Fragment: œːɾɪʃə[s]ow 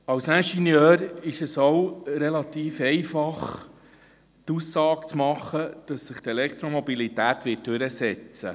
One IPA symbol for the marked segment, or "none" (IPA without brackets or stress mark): s